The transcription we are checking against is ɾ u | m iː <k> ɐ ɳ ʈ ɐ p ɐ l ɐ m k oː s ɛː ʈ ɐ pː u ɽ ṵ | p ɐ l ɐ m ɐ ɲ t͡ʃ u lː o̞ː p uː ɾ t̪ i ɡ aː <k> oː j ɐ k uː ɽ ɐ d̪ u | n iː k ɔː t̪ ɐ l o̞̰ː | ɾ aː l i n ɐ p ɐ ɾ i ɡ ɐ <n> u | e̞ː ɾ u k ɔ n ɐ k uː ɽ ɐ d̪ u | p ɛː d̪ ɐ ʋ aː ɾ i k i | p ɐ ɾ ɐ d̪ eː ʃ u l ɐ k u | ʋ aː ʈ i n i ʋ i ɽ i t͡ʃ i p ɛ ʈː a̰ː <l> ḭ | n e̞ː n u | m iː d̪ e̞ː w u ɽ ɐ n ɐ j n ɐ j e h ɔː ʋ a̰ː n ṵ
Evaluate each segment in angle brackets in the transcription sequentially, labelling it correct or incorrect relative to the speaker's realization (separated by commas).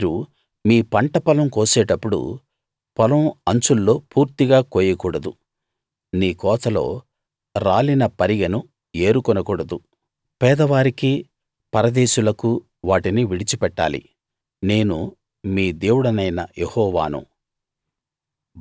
incorrect, correct, correct, correct